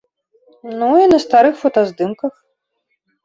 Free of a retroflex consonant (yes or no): yes